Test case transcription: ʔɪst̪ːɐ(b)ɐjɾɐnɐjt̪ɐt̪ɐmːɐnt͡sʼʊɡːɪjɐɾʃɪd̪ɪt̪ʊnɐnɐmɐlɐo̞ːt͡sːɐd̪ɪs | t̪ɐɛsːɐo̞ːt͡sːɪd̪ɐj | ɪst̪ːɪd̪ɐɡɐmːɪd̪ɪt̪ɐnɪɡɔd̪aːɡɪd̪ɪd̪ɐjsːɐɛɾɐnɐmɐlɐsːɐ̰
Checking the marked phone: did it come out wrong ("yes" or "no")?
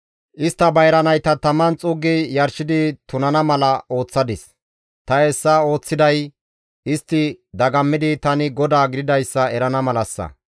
no